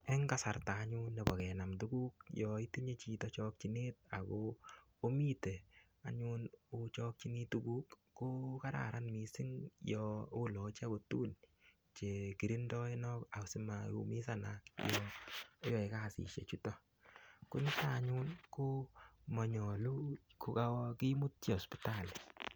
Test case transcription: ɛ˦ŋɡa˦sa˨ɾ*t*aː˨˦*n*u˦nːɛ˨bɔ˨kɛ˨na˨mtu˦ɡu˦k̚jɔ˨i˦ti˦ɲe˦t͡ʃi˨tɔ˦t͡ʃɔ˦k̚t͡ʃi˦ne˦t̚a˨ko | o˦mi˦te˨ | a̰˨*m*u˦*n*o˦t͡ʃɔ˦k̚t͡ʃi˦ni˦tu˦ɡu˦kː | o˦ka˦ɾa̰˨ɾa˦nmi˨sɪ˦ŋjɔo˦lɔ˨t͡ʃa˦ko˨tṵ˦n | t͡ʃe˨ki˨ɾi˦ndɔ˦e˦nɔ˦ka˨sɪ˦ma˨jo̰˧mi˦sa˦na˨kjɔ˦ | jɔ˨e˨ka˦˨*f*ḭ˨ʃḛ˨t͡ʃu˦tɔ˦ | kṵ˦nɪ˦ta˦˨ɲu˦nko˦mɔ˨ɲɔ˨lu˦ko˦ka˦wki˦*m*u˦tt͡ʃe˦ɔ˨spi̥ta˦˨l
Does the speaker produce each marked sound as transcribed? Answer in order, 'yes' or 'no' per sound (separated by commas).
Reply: yes, no, no, yes, no, yes